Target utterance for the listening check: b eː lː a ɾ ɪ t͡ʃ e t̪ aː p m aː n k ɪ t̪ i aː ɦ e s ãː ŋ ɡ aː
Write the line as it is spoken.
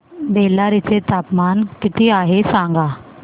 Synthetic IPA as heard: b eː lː a ɾ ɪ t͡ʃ e t̪ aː p m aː n k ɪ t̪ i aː ɦ e s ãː ŋ ɡ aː